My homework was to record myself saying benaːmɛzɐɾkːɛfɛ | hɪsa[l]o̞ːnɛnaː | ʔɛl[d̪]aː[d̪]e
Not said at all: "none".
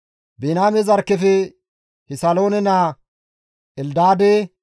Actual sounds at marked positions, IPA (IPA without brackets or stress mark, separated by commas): l, d̪, d̪